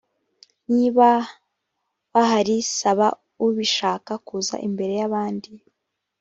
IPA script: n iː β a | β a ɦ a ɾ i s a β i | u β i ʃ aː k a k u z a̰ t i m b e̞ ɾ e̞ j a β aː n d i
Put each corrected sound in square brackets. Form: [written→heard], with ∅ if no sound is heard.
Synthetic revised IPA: n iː β a | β a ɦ a ɾ i s a β [i→a] | u β i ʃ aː k a k u z a̰ [t→ʔ] i m b e̞ ɾ e̞ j a β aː n d i